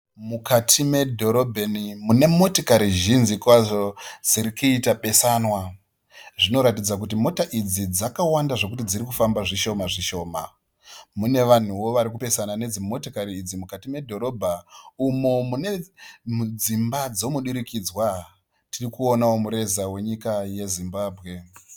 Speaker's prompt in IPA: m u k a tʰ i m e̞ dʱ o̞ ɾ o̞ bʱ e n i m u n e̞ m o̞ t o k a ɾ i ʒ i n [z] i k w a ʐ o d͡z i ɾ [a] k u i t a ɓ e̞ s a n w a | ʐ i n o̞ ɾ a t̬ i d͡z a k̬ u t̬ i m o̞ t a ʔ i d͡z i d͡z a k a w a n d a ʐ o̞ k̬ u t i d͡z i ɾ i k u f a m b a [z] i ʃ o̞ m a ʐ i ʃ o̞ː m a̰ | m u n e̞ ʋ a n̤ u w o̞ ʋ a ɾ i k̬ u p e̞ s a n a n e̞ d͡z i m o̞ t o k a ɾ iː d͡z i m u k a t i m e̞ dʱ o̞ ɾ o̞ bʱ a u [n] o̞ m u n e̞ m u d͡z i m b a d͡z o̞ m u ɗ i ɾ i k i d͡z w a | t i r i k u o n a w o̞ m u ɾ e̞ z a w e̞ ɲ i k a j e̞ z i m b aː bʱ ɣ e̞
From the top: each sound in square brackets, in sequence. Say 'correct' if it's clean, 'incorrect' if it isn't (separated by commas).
correct, incorrect, incorrect, incorrect